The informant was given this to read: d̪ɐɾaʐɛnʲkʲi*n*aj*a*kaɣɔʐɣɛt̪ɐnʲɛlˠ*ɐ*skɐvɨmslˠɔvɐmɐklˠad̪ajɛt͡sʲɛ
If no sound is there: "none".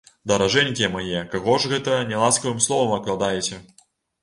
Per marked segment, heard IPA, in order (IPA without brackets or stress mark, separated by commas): m, ɛ, a